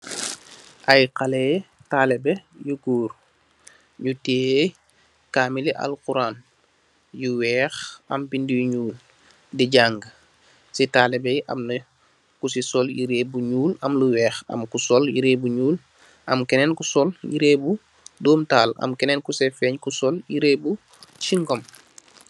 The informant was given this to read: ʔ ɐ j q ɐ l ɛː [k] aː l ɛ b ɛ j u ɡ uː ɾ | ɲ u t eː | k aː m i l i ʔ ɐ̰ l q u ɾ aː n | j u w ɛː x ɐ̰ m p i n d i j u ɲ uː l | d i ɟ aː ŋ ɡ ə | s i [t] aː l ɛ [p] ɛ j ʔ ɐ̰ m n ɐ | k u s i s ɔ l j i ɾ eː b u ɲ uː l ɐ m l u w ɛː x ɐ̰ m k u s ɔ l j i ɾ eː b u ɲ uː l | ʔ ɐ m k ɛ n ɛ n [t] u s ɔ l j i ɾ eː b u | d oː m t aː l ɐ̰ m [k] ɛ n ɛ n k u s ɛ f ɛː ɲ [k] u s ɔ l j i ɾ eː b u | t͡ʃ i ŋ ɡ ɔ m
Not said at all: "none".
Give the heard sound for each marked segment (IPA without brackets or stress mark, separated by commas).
t, t, b, k, k, k